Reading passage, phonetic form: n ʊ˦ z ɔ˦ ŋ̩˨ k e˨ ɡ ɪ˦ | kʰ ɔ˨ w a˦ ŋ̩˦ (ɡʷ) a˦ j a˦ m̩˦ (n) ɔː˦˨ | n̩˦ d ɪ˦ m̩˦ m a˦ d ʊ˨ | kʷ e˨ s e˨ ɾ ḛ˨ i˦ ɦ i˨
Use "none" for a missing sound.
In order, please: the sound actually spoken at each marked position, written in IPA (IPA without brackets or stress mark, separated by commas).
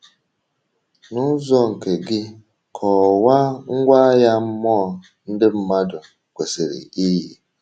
ɡʷ, m